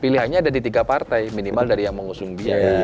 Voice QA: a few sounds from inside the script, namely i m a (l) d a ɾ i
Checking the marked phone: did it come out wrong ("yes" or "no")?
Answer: no